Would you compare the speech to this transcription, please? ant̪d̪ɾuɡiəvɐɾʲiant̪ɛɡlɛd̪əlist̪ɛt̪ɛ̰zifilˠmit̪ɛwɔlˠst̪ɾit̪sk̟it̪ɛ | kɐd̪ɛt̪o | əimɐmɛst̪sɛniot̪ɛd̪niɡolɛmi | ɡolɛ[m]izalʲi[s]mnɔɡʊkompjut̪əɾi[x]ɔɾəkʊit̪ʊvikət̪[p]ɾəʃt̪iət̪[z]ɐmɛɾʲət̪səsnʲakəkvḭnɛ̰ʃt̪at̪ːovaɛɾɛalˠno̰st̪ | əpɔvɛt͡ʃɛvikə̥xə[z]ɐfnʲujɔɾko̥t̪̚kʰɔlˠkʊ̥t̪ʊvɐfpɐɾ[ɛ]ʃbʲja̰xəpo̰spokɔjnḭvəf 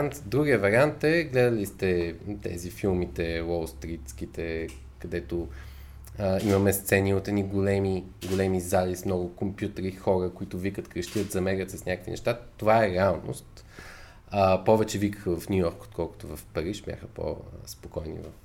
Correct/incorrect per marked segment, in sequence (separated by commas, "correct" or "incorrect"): correct, correct, correct, incorrect, correct, incorrect, incorrect